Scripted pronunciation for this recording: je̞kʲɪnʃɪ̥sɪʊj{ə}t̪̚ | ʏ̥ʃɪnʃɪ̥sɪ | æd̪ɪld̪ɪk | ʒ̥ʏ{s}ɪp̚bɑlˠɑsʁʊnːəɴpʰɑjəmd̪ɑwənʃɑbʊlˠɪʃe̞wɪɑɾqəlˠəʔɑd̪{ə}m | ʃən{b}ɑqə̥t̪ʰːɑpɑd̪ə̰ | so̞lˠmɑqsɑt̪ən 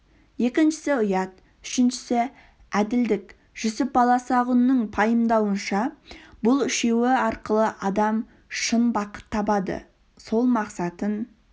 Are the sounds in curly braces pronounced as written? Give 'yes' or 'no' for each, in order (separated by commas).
no, yes, no, yes